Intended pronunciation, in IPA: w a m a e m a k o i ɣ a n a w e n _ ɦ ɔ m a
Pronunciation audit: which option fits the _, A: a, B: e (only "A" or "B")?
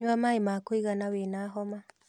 A